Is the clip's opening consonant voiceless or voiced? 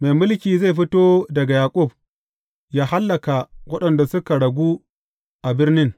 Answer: voiced